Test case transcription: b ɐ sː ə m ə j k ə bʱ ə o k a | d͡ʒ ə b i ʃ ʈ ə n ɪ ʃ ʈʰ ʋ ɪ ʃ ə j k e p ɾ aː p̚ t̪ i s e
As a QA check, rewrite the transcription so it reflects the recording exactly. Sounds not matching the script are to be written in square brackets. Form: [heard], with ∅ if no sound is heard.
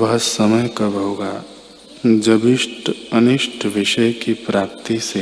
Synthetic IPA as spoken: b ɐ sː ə m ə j k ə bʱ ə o [ɡ] a | d͡ʒ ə b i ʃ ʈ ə n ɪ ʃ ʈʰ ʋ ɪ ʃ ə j k [i] p ɾ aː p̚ t̪ i s e